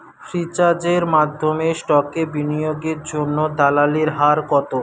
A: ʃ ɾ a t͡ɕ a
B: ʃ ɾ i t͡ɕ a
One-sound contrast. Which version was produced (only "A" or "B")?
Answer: B